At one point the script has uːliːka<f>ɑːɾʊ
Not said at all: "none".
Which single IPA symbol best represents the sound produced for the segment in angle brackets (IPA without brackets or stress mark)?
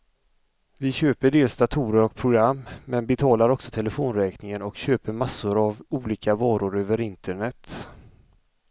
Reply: v